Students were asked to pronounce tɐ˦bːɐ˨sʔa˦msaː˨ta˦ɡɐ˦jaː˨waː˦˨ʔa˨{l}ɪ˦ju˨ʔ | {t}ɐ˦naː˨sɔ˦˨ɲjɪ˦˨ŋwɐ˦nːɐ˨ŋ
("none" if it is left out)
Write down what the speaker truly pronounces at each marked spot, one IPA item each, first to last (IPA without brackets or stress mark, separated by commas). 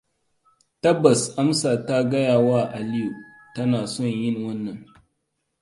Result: l, t